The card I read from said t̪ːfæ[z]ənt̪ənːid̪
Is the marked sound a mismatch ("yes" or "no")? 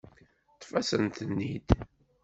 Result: yes